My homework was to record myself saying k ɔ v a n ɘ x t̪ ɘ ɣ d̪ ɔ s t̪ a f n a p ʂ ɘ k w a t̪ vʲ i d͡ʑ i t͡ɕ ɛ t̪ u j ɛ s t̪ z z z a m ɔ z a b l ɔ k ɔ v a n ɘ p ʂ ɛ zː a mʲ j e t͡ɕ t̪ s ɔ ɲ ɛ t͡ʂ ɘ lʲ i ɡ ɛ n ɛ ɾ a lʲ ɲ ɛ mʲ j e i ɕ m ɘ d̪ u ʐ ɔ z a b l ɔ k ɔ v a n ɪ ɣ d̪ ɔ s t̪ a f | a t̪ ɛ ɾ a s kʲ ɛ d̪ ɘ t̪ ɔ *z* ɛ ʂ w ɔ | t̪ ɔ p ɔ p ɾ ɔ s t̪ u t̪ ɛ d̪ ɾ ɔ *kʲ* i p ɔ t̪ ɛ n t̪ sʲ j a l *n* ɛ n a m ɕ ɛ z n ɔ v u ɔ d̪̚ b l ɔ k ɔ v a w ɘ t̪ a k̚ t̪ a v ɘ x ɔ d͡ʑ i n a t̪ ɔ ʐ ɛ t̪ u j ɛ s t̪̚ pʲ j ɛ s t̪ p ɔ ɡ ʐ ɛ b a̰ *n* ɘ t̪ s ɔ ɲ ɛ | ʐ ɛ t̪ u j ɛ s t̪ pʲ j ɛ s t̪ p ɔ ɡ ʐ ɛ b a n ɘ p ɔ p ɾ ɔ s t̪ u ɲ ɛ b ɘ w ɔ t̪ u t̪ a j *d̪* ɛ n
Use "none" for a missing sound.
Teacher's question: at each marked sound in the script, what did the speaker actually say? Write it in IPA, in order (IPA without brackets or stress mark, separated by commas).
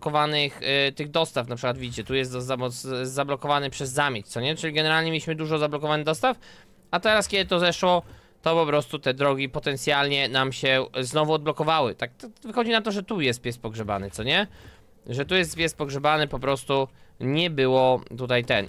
z, ɡʲ, ɲ, n, t̪